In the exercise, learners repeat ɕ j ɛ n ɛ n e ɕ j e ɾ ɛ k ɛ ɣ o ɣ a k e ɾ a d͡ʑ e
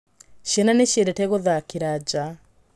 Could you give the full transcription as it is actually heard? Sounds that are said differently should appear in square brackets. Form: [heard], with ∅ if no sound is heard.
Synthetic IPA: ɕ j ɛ n [a] n e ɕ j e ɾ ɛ [t] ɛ ɣ o [ð] a k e ɾ a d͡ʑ [a]